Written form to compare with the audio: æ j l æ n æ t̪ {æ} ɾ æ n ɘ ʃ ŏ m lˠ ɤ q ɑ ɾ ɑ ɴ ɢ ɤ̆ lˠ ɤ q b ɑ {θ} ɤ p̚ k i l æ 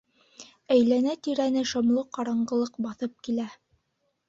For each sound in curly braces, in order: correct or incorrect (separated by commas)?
incorrect, correct